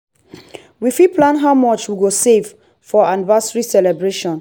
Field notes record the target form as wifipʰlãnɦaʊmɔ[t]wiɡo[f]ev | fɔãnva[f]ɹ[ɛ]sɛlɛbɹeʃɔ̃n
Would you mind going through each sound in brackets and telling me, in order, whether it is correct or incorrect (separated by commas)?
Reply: incorrect, incorrect, incorrect, incorrect